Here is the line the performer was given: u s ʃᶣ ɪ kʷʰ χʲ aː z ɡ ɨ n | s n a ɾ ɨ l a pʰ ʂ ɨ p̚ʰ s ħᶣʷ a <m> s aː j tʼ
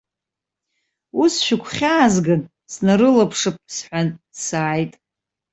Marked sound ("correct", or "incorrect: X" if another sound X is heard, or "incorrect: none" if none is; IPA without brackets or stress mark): incorrect: n